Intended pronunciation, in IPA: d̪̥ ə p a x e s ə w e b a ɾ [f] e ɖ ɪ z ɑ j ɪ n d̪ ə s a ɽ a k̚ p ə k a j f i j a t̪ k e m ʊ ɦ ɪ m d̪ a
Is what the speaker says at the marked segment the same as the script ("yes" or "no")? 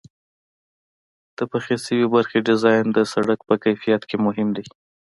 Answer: no